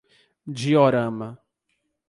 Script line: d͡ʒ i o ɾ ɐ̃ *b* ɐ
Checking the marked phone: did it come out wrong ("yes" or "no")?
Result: yes